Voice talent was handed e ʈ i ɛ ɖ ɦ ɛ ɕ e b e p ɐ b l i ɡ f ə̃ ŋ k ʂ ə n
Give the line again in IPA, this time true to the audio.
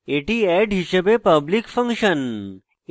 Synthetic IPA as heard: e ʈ i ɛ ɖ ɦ i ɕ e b e p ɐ b l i k f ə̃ ŋ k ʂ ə n